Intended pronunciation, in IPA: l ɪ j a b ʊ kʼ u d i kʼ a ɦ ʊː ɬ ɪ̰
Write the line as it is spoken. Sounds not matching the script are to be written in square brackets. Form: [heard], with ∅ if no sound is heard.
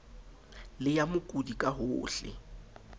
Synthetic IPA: l ɪ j a [m] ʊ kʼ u d i kʼ a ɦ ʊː ɬ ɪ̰